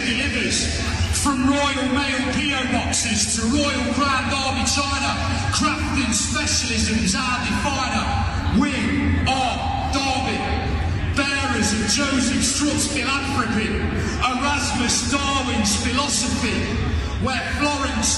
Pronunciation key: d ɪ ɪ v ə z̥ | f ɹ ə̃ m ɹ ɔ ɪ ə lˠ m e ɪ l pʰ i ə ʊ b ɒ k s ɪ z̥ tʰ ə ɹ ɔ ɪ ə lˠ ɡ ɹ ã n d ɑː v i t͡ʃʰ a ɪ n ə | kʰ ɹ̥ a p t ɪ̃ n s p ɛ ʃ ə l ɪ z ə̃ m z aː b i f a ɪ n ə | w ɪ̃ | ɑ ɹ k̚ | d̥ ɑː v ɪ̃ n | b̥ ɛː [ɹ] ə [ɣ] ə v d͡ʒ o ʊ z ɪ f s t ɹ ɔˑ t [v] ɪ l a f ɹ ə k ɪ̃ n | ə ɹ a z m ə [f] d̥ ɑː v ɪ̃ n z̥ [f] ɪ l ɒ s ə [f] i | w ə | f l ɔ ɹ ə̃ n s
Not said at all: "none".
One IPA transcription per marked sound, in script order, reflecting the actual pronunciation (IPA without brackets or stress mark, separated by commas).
ɹ, z, f, s, f, f